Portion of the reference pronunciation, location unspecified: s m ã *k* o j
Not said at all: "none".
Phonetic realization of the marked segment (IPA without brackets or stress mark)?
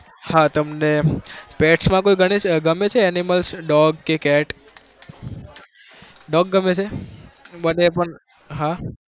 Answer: k